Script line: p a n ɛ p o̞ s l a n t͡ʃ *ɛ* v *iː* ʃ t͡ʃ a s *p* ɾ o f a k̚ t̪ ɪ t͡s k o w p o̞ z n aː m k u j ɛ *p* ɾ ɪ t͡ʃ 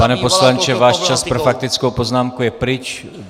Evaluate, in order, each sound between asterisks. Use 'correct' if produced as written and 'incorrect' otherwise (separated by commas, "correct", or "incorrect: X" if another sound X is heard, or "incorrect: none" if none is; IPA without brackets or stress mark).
correct, incorrect: aː, correct, correct